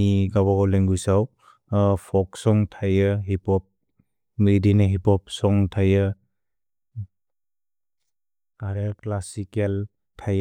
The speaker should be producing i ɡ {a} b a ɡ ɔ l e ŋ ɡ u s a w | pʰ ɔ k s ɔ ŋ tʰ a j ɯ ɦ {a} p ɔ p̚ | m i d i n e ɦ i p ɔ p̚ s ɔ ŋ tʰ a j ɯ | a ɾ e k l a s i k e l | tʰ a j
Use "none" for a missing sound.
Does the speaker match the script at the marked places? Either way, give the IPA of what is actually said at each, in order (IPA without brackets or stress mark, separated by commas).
a, i